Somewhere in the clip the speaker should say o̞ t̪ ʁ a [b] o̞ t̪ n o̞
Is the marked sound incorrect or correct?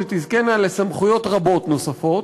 correct